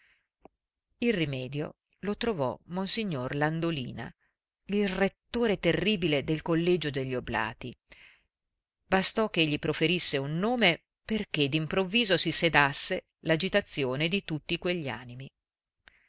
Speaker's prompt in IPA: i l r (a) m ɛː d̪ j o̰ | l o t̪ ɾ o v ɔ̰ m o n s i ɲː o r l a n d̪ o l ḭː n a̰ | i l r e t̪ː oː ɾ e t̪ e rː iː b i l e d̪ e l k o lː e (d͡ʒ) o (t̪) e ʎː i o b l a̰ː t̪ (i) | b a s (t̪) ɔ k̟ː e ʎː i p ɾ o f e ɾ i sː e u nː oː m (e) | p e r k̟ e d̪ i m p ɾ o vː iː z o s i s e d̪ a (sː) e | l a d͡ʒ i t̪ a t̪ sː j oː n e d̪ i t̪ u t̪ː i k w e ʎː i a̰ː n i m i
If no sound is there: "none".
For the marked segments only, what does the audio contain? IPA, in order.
i, d͡ʒ, d̪, i, t̪, e, sː

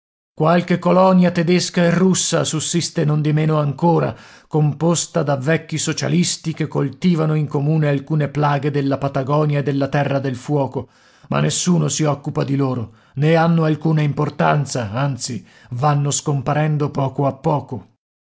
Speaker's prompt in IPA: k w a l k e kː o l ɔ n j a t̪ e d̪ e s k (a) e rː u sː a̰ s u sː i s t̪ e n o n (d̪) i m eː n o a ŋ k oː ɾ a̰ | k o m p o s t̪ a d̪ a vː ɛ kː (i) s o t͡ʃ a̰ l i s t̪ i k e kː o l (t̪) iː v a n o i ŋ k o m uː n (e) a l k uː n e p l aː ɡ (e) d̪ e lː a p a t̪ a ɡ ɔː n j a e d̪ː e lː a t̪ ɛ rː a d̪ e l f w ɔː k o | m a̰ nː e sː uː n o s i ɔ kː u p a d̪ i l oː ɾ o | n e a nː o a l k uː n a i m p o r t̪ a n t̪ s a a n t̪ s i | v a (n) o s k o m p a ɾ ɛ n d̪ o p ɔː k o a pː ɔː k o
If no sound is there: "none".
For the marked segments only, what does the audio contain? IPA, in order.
a, d̪, i, t̪, e, e, nː

